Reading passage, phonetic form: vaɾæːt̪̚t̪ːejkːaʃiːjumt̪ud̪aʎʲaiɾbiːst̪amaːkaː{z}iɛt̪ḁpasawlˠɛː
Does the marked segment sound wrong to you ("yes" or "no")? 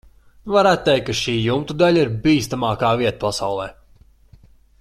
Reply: yes